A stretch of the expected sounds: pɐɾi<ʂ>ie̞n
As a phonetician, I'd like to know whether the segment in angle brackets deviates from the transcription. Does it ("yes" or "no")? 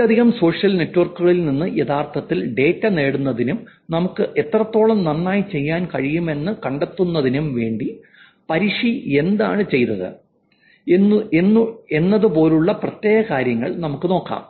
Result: no